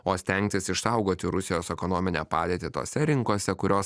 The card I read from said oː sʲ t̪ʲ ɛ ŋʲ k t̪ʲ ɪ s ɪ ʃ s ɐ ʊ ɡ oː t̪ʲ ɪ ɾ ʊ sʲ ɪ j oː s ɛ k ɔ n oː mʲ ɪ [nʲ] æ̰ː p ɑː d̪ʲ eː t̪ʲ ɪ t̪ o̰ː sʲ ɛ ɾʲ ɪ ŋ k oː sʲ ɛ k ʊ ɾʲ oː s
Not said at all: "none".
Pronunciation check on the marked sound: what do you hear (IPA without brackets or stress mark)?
nʲ